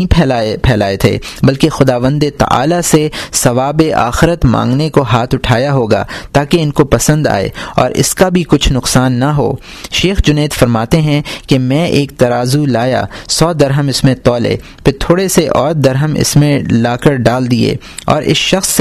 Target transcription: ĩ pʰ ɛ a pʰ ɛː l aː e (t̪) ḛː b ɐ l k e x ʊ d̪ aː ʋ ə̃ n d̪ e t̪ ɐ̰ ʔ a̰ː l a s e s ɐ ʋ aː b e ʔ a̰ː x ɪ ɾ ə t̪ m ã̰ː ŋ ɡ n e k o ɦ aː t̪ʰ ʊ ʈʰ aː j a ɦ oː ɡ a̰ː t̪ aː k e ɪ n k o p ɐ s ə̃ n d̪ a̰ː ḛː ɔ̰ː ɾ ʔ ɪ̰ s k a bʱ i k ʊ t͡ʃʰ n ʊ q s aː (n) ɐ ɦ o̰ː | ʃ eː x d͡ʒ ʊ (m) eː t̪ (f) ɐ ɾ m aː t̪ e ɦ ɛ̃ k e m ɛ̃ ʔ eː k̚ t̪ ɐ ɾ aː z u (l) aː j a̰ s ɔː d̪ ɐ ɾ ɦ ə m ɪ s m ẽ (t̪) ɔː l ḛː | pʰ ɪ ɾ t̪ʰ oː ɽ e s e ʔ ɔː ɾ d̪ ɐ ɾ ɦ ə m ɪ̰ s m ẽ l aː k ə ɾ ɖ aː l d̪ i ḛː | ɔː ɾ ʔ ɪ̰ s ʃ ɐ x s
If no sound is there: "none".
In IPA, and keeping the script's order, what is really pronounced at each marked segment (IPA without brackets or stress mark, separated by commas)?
t̪ʰ, nː, n, f, l, t̪